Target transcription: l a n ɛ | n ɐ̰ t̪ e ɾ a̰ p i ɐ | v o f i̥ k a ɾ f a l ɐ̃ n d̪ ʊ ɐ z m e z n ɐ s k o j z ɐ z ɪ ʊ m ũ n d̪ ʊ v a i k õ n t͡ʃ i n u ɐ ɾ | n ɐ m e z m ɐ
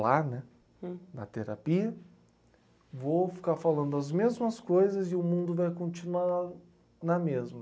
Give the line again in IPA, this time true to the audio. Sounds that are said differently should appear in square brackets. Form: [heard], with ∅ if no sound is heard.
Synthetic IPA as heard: l a n ɛ | n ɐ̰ t̪ e ɾ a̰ p i ɐ | v o f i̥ k a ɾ f a l ɐ̃ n d̪ ʊ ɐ z m e z [m] ɐ s k o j z ɐ z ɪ ʊ m ũ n d̪ ʊ v a [j] k õ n t͡ʃ i n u [a] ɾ | n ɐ m e z m ɐ